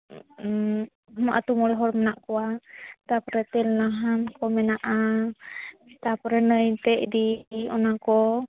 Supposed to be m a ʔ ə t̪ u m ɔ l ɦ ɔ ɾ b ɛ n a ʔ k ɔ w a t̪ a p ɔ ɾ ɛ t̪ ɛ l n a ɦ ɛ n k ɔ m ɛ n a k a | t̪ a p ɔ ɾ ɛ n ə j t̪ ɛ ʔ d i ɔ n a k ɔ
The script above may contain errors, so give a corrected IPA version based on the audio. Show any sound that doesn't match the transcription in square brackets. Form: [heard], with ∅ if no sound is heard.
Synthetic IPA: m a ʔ [a] t̪ u m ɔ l ɦ ɔ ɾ [m] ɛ n a ʔ k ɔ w a t̪ a p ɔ ɾ ɛ t̪ ɛ l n a ɦ [a] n k ɔ m ɛ n a [ʔ] a | t̪ a p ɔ ɾ ɛ n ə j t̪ ɛ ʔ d i ɔ n a k ɔ